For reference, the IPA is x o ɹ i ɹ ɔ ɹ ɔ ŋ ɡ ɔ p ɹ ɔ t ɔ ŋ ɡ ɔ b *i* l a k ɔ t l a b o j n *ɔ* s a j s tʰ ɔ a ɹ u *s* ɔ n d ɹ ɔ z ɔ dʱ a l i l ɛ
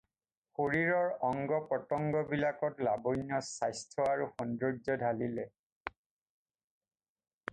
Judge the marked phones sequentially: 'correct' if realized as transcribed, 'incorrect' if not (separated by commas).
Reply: correct, correct, incorrect